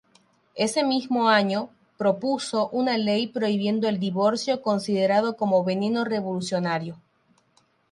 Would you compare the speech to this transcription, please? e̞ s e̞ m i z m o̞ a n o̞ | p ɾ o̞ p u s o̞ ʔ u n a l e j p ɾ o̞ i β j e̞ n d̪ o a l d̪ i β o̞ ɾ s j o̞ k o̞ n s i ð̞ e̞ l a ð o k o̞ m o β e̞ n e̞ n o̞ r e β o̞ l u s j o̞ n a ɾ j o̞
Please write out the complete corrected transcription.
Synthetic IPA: e̞ s e̞ m i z m o̞ a ɲ o̞ | p ɾ o̞ p u s o̞ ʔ u n a l e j p ɾ o̞ i β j e̞ n d̪ o e l d̪ i β o̞ ɾ s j o̞ k o̞ n s i ð̞ e̞ ɾ a ð o k o̞ m o β e̞ n e̞ n o̞ r e β o̞ l u s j o̞ n a ɾ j o̞